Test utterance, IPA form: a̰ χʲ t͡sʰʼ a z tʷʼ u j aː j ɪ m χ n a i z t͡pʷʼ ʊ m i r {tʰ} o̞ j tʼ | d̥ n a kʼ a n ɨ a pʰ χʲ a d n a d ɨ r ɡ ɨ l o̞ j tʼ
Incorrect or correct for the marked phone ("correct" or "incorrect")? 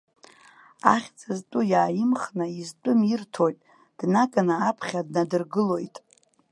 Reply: correct